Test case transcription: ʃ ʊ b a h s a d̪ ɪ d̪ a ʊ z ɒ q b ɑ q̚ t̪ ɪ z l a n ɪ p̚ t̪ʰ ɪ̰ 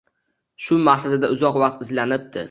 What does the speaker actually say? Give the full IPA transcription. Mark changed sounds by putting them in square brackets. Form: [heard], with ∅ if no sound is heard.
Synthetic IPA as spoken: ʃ ʊ [m] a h s a d̪ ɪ d̪ a ʊ z ɒ q [v] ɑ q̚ t̪ ɪ z l a n ɪ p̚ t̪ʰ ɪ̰